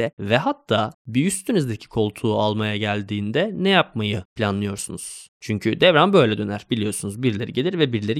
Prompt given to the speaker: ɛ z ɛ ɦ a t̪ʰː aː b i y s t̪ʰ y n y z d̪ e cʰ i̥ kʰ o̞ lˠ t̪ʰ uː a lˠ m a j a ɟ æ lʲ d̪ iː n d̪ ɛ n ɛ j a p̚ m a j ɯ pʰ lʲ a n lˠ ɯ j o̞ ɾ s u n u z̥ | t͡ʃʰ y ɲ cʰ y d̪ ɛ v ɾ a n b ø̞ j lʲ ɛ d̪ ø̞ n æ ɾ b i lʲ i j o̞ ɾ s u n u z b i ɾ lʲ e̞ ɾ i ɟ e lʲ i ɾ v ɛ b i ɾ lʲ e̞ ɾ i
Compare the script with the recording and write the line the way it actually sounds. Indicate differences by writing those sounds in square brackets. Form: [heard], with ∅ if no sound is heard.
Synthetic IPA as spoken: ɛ [v] ɛ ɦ a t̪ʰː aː b i y s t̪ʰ y n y z d̪ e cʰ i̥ kʰ o̞ lˠ t̪ʰ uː a lˠ m a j a ɟ æ lʲ d̪ iː n d̪ ɛ n ɛ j a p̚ m a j ɯ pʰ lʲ a n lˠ ɯ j o̞ ɾ s u n u z̥ | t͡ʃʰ y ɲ cʰ y d̪ ɛ v ɾ a n b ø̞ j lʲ ɛ d̪ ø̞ n æ ɾ b i lʲ i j o̞ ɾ s u n u z b i ɾ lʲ e̞ ɾ i ɟ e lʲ i ɾ v ɛ b i ɾ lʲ e̞ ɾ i